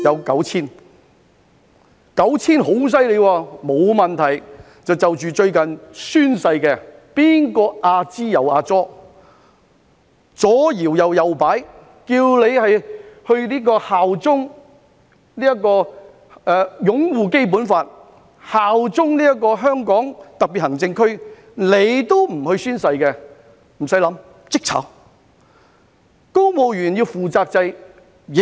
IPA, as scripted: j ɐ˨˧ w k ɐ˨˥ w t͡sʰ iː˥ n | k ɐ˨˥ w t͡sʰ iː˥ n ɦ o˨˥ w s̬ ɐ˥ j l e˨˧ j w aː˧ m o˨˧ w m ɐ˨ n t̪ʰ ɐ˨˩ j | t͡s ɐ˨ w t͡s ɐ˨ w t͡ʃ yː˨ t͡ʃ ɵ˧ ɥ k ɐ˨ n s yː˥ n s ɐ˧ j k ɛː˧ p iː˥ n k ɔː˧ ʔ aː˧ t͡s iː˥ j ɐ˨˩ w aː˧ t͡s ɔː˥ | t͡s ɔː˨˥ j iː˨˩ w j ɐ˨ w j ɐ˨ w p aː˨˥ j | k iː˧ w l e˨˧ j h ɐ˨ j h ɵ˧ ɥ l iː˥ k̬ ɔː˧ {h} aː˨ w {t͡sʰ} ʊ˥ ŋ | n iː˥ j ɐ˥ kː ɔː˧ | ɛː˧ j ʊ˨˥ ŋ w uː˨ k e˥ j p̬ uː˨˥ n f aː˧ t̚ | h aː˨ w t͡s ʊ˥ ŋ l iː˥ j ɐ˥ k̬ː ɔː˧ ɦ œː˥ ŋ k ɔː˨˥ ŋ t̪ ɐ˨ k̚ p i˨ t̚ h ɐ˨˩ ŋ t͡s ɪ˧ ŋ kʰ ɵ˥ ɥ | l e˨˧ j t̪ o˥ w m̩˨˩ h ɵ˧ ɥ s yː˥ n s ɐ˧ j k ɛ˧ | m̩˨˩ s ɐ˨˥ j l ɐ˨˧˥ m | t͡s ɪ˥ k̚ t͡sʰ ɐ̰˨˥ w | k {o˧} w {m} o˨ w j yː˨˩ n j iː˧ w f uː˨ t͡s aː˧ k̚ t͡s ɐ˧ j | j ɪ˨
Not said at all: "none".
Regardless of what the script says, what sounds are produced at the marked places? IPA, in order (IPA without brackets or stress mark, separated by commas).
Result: h, t͡s, o˥, m